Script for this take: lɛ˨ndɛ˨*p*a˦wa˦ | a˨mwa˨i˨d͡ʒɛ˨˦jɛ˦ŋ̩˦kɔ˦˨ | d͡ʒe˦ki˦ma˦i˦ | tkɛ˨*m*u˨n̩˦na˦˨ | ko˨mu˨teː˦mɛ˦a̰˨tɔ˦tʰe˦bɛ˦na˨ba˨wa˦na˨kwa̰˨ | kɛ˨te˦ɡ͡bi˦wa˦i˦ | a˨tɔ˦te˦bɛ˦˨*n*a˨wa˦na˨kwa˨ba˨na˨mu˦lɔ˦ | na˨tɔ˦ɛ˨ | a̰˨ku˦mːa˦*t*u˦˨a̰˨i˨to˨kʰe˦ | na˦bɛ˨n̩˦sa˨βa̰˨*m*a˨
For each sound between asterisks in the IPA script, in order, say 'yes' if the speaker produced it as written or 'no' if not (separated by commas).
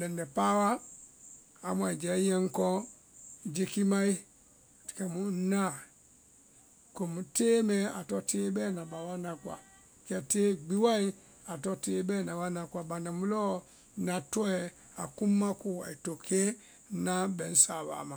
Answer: yes, yes, yes, no, yes